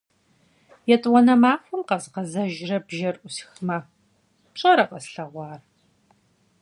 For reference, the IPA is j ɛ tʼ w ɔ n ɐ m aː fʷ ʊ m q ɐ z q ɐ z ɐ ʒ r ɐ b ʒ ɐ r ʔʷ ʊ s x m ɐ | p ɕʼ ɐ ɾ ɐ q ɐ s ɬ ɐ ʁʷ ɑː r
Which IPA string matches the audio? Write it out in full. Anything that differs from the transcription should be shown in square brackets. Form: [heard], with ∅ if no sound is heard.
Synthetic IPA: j ɛ tʼ w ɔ n ɐ m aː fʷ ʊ m q ɐ z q ɐ z ɐ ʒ r ɐ b ʒ ɐ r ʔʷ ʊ s x m ɐ | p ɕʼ ɐ ɾ ɐ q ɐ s ɬ ɐ ʁʷ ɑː r